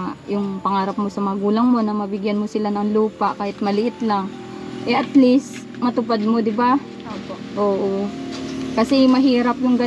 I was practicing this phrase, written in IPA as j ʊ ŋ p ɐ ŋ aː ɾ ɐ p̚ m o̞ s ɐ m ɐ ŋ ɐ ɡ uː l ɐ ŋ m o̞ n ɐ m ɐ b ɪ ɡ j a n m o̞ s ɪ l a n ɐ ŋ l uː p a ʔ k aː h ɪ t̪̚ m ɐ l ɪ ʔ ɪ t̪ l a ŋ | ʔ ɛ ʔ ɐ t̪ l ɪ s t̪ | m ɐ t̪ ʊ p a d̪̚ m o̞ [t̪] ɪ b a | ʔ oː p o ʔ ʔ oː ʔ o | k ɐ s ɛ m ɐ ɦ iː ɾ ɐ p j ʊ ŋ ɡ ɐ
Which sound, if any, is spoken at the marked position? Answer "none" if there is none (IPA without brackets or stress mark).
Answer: d̪